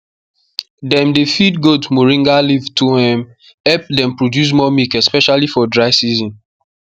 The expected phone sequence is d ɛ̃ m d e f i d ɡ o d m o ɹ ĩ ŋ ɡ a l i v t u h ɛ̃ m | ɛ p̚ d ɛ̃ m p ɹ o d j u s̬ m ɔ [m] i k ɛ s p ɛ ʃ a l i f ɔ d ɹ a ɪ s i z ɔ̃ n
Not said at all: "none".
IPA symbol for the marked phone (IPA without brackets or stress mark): m